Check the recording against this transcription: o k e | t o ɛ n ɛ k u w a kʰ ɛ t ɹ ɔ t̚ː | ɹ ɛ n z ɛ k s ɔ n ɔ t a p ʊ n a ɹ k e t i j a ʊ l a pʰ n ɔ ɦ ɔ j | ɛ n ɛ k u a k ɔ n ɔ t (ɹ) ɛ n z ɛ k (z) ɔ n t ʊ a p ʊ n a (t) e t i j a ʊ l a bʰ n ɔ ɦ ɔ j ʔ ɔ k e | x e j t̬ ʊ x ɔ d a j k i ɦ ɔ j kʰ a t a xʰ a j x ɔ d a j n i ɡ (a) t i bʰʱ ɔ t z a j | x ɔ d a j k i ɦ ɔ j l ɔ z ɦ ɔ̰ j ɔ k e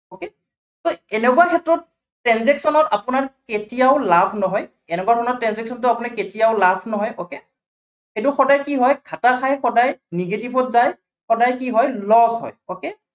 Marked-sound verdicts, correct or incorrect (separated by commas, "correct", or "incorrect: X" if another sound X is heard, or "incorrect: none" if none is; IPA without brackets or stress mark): correct, incorrect: s, incorrect: k, incorrect: e